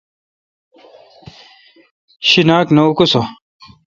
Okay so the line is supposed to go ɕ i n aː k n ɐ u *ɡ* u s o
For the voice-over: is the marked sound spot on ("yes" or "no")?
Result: no